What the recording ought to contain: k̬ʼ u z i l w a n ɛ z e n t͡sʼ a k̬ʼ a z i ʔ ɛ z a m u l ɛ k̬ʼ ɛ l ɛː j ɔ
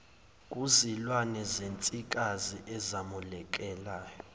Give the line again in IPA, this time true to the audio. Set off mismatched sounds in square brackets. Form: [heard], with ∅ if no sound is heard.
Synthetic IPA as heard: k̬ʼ u z i l w a n ɛ z e n t͡sʼ [i] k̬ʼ a z i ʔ ɛ z a m u l ɛ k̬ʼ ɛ l [aː] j ɔ